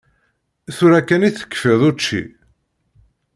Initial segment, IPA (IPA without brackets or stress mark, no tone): θ